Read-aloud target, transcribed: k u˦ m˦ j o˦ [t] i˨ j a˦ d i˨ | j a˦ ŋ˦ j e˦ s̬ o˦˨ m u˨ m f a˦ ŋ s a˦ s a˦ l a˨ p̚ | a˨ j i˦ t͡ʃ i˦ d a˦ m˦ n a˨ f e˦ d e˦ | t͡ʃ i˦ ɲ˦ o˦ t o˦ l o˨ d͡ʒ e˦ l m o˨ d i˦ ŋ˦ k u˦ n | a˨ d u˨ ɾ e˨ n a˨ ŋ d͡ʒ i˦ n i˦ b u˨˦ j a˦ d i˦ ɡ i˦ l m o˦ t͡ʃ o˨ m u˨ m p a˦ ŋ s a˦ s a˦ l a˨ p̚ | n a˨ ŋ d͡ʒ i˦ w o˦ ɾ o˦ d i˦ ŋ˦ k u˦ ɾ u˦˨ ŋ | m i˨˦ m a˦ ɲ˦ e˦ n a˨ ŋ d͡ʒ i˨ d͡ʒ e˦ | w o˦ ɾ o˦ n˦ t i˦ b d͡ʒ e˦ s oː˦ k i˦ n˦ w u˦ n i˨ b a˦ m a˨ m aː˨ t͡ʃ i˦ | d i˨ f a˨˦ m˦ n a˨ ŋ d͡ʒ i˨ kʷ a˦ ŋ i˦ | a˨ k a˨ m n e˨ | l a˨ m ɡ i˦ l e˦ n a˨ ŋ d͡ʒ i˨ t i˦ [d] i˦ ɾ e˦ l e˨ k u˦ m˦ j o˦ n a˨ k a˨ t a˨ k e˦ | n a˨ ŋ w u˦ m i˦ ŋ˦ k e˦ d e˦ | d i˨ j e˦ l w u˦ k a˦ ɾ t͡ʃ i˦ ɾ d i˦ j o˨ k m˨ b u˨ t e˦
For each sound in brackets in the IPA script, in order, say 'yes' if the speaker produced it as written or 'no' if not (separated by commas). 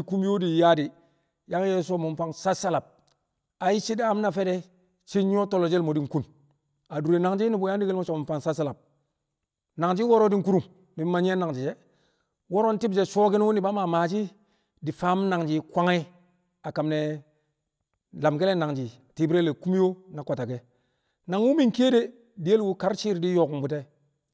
no, no